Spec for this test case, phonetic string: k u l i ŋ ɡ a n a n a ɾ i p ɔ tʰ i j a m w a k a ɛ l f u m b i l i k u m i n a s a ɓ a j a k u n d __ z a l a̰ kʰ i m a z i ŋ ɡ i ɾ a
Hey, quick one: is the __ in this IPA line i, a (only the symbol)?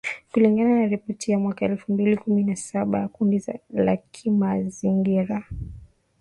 i